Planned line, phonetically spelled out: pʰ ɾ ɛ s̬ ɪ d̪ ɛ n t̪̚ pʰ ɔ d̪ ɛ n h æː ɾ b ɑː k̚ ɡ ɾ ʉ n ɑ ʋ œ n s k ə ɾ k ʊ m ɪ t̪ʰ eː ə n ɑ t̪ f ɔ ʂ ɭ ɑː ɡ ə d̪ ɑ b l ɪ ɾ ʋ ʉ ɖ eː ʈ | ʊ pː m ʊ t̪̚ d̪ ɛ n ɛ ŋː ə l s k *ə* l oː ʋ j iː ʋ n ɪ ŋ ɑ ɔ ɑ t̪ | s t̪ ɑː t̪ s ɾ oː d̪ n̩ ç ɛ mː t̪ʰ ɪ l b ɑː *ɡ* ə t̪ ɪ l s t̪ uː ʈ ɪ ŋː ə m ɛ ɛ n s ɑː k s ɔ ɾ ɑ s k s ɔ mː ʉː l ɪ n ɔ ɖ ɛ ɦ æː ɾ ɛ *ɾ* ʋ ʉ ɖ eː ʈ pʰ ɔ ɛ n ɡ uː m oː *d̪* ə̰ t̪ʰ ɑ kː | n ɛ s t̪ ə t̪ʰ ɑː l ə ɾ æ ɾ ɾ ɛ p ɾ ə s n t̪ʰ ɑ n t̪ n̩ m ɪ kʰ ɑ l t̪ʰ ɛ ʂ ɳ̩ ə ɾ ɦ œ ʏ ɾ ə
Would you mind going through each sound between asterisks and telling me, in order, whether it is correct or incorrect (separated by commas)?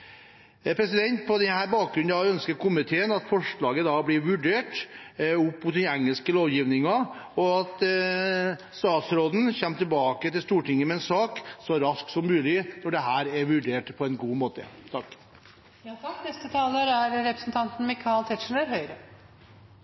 correct, incorrect, correct, incorrect